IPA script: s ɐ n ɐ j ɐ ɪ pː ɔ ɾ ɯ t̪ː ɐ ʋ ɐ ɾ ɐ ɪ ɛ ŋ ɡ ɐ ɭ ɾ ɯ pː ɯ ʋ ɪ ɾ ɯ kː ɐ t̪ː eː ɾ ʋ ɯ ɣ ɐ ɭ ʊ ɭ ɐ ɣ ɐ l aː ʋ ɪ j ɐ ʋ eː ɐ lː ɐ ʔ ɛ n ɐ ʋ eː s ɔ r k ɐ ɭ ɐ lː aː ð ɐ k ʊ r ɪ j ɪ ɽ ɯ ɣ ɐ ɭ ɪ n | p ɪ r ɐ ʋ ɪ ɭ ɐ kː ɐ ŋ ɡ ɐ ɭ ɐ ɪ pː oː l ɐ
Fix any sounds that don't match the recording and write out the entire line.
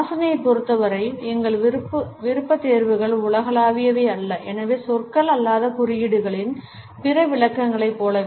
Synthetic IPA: s ɐ n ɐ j ɐ ɪ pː ɔ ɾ ɯ t̪ː ɐ ʋ ɐ ɾ ɐ ɪ ɛ ŋ ɡ ɐ ɭ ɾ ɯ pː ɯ ʋ ɪ ɾ ɯ pː ɐ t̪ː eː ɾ ʋ ɯ ɣ ɐ ɭ ʊ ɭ ɐ ɣ ɐ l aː ʋ ɪ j ɐ ʋ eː ɐ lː ɐ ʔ ɛ n ɐ ʋ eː s ɔ r k ɐ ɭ ɐ lː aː ð ɐ k ʊ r ɪ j ɪ ɽ ɯ ɣ ɐ ɭ ɪ n | p ɪ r ɐ ʋ ɪ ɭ ɐ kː ɐ ŋ ɡ ɐ ɭ ɐ ɪ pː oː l ɐ